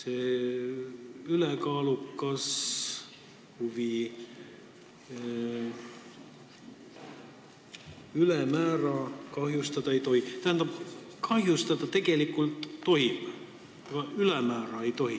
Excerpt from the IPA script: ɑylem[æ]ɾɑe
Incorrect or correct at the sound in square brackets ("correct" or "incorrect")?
incorrect